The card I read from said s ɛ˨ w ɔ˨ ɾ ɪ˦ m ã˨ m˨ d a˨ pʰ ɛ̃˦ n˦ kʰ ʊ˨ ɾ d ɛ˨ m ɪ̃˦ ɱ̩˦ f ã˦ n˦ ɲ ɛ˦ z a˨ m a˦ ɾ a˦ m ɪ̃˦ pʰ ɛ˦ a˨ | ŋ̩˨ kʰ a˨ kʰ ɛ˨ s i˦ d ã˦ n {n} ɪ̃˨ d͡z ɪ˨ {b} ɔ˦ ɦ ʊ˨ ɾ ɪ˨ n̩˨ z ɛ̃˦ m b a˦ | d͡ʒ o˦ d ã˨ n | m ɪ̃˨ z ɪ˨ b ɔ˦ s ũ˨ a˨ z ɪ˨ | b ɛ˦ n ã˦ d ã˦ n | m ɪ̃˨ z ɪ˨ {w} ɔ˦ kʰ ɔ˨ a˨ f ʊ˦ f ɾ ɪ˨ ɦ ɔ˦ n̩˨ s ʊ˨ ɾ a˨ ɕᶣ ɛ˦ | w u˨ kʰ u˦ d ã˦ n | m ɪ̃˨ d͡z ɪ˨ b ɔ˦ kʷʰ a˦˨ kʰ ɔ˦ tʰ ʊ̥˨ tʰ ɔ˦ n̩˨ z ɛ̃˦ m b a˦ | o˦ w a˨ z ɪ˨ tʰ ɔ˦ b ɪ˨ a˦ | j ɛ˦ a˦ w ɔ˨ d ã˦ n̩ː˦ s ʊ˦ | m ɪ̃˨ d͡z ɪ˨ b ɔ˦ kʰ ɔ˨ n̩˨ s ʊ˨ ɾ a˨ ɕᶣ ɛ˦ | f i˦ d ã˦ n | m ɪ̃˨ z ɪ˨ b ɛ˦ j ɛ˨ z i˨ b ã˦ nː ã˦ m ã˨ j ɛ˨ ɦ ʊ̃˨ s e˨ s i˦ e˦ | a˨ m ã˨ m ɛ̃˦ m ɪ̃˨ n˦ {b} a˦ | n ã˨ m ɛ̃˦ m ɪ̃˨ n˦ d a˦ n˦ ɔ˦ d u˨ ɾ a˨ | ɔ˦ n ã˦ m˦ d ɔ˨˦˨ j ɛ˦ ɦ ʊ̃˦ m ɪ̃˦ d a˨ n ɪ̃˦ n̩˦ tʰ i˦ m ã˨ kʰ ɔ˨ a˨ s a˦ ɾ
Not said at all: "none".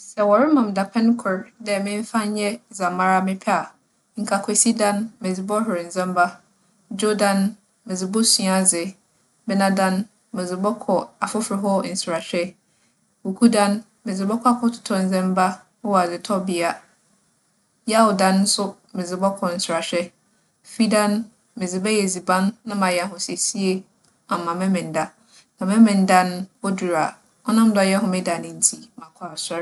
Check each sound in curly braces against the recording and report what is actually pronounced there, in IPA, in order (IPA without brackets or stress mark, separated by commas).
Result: m, b, b, d